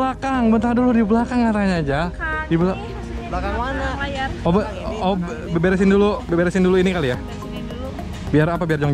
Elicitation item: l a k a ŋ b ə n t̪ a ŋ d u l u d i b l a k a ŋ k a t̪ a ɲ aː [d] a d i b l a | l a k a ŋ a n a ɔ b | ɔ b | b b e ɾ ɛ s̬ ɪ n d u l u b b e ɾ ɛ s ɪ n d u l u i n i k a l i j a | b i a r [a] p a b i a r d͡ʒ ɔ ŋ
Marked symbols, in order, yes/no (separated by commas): no, yes